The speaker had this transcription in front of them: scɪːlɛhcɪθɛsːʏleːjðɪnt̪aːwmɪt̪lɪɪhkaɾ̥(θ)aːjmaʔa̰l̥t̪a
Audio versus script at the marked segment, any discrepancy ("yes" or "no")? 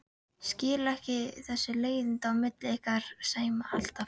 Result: yes